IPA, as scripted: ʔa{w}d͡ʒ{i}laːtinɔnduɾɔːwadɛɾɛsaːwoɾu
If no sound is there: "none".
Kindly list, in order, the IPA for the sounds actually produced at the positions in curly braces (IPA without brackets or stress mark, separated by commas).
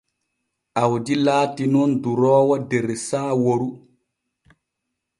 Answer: w, i